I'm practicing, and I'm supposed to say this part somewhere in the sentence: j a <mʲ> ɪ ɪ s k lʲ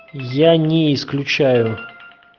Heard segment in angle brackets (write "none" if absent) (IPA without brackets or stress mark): nʲ